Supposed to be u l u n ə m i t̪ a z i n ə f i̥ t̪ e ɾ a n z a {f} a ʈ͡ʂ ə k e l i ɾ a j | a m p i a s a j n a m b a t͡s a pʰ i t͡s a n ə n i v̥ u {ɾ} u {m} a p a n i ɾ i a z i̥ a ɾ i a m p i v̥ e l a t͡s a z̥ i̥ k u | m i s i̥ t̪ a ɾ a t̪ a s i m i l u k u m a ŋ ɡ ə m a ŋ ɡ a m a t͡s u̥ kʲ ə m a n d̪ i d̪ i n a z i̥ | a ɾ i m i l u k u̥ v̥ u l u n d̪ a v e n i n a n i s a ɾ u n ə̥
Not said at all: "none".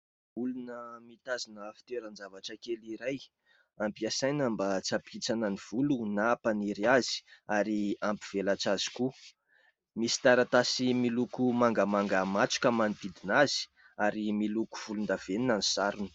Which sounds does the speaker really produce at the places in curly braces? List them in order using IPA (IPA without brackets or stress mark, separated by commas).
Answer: v, l, n